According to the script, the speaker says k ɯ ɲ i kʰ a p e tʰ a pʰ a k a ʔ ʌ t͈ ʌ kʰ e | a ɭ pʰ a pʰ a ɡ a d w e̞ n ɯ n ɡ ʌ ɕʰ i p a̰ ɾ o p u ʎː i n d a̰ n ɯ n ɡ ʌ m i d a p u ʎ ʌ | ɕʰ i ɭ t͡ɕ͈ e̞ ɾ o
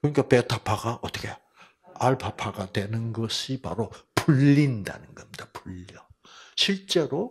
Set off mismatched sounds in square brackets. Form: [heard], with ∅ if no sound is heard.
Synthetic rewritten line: k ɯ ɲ i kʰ a p e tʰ a pʰ a [ɡ] a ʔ ʌ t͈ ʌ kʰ e | a ɭ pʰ a pʰ a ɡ a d w e̞ n ɯ n ɡ ʌ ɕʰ i p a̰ ɾ o p u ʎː i n d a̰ n ɯ n ɡ ʌ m i d a p u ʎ ʌ | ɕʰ i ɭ t͡ɕ͈ e̞ ɾ o